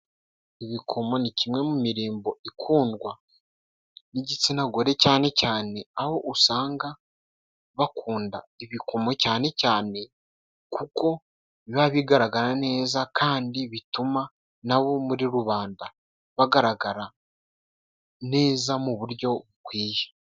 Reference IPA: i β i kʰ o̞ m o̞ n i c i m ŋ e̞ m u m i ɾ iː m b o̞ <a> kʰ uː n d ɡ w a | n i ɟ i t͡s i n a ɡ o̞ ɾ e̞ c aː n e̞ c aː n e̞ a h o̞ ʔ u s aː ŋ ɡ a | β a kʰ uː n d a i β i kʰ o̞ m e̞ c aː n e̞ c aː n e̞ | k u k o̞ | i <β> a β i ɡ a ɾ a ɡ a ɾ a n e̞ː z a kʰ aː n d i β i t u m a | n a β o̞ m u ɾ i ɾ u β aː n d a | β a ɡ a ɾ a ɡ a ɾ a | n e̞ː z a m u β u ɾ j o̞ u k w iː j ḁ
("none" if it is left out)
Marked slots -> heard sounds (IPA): i, β

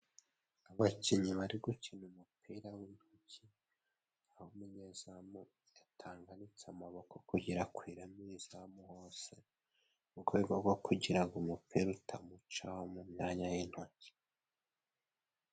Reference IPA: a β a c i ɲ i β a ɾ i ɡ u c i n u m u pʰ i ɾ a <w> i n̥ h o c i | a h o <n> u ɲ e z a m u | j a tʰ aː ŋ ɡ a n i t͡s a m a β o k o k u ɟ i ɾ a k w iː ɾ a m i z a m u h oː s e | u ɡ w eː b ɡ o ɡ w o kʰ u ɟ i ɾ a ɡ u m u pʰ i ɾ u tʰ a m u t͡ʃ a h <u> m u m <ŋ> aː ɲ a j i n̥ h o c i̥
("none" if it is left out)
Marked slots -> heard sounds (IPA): w, m, o, ɲ

